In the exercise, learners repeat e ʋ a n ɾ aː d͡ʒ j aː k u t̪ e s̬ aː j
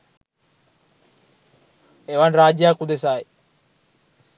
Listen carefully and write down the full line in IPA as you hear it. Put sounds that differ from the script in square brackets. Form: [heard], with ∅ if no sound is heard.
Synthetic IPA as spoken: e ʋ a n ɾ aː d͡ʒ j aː k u [d̪] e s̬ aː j